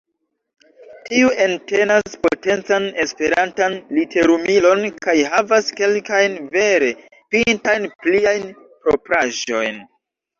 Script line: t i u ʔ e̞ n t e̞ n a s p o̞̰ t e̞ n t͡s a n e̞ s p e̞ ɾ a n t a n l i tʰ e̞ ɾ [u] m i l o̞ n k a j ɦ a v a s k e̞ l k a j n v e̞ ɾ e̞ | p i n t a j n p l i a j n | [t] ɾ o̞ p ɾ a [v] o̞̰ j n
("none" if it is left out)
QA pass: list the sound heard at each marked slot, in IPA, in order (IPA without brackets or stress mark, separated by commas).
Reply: u, p, ʒ